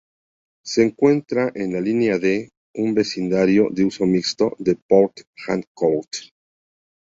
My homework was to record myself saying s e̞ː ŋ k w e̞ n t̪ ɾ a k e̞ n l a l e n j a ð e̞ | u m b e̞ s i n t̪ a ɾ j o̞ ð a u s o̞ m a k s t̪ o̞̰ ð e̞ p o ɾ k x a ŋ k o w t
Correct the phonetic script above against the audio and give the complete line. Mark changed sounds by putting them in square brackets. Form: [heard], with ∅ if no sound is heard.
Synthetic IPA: s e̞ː ŋ k w e̞ n t̪ ɾ a [ʔ] e̞ n l a l [i] n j a ð e̞ | u m b e̞ s i n [d̪] a ɾ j o̞ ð [e] u s o̞ m [i] k s t̪ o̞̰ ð e̞ p o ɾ k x a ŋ k o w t